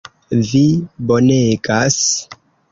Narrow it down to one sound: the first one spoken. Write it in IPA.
v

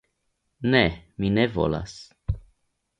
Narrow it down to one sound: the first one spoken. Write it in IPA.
n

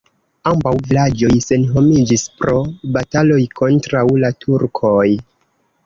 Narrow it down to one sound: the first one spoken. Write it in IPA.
a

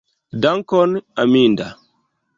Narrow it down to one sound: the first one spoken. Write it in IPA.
d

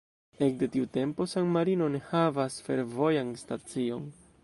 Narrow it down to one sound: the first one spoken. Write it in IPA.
e̞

